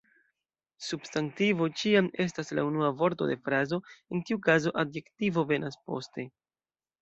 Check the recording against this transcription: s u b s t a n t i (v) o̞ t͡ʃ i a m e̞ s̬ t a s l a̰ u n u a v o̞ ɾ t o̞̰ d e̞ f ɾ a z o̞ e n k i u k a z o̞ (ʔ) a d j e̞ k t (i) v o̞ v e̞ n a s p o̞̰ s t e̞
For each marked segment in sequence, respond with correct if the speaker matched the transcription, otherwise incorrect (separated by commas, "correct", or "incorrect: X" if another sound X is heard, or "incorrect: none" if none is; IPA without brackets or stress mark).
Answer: correct, correct, correct